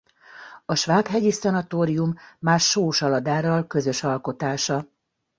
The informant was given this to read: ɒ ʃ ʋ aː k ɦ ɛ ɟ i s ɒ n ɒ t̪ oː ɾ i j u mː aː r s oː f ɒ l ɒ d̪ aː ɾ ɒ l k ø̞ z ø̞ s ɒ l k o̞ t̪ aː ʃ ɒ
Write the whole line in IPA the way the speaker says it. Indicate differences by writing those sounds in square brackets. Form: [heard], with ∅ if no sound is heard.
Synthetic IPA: ɒ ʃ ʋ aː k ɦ ɛ ɟ i s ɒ n ɒ t̪ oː ɾ i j u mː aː r [ʃ] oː [ʃ] ɒ l ɒ d̪ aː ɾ ɒ l k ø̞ z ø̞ [ʃ] ɒ l k o̞ t̪ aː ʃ ɒ